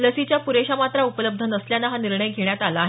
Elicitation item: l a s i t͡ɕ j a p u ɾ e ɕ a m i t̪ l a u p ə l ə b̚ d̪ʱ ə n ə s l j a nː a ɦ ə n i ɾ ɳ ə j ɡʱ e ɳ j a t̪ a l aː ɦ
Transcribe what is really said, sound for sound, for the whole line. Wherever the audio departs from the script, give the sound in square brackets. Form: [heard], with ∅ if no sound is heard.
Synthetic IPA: l [ə] s i t͡ɕ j a p u ɾ e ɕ a m [a] t̪ [ɾ] a u p ə l ə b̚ d̪ʱ ə n ə s l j a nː a ɦ [a] n i ɾ ɳ ə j ɡʱ e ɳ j a t̪ a l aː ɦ